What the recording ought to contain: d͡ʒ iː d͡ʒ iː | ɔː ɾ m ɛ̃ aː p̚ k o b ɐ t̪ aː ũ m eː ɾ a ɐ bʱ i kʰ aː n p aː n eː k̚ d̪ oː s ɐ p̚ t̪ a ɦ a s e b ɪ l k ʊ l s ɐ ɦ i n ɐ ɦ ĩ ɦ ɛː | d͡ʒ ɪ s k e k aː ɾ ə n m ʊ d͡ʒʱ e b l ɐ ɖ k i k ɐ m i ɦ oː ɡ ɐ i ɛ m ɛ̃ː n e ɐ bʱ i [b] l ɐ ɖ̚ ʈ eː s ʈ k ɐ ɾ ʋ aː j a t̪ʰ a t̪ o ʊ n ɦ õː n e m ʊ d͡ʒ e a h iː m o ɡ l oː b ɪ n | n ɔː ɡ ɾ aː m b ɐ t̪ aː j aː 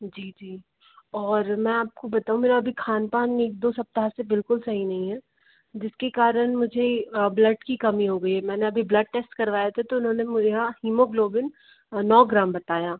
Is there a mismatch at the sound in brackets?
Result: no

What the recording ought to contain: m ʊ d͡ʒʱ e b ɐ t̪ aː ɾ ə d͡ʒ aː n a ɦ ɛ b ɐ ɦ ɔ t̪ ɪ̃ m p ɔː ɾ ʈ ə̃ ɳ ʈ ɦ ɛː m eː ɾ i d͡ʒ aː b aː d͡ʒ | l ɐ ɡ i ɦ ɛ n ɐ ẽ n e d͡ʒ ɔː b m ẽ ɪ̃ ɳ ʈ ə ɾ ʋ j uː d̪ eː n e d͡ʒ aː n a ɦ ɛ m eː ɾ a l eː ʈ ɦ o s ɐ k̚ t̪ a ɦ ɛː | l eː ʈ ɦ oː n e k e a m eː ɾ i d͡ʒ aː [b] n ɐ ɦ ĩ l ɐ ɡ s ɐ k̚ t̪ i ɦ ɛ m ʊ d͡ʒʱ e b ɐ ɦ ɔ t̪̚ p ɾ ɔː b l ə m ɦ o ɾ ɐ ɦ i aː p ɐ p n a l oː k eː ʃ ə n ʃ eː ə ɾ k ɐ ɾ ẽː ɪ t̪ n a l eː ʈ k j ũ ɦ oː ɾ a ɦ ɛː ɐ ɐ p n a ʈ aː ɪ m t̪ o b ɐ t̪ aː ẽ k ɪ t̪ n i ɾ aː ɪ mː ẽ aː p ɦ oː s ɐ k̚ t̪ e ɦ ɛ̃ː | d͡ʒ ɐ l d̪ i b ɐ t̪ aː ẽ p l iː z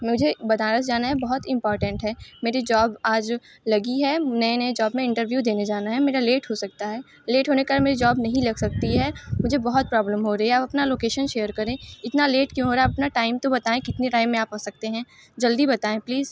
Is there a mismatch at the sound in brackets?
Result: no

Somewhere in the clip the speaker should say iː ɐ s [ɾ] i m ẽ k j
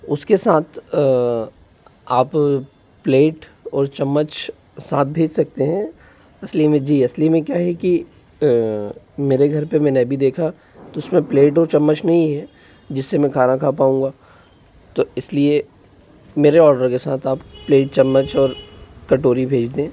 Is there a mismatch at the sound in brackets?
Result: yes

